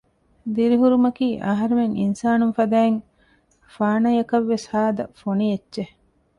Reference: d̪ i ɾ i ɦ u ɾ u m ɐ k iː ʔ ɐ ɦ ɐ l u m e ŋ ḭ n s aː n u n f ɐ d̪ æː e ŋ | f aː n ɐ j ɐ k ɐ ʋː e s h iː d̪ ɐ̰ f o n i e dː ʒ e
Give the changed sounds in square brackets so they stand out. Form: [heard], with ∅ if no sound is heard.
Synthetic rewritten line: d̪ i ɾ i ɦ u ɾ u m ɐ k iː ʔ ɐ ɦ ɐ [ɾ] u m e ŋ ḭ n s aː n u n f ɐ d̪ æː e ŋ | f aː n ɐ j ɐ k ɐ ʋː e s h [aː] d̪ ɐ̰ f o n i e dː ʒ e

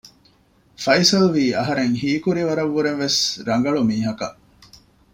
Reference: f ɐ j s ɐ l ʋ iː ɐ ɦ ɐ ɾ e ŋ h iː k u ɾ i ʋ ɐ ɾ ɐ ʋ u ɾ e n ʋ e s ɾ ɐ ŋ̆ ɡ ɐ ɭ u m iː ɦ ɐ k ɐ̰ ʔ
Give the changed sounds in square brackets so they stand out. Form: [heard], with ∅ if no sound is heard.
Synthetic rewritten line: f ɐ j s ɐ l ʋ iː ɐ ɦ ɐ ɾ e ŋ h iː k u ɾ i ʋ ɐ ɾ ɐ [ʋː] u ɾ e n ʋ e s ɾ ɐ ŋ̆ ɡ ɐ ɭ u m iː ɦ ɐ k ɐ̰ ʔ

